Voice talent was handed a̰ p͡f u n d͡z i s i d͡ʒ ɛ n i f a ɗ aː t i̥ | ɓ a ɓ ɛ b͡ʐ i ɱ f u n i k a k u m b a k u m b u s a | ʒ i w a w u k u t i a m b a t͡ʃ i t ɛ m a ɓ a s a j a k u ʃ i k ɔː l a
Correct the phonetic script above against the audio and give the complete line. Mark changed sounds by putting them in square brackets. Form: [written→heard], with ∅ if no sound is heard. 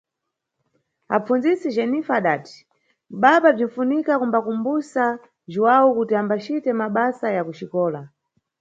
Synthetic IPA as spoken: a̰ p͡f u n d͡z i s i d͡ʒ ɛ n i f a ɗ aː t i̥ | ɓ a ɓ [ɛ→a] b͡ʐ i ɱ f u n i k a k u m b a k u m b u s a | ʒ i w a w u k u t i a m b a t͡ʃ i t ɛ m a ɓ a s a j a k u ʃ i k ɔː l a